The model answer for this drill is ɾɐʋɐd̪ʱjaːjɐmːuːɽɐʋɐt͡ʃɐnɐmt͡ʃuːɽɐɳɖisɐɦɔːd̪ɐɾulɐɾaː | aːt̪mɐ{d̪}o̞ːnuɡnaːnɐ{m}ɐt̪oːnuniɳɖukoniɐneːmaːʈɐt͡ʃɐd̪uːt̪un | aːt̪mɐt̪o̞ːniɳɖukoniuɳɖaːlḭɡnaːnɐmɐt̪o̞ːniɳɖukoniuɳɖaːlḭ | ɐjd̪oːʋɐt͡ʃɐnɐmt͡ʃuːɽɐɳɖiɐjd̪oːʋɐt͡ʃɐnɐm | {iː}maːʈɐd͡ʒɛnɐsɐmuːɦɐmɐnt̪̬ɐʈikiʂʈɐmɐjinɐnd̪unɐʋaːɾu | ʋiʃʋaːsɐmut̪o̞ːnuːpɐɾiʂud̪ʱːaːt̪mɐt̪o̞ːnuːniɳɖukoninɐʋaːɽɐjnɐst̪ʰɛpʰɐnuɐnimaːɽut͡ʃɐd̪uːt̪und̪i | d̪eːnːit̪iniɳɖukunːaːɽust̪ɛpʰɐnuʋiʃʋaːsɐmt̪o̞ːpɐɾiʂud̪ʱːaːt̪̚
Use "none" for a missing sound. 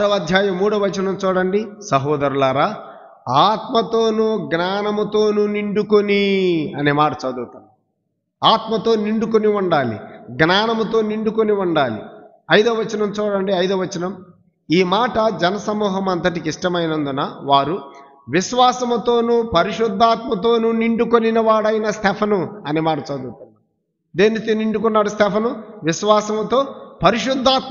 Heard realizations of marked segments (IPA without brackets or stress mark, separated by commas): t̪, m, iː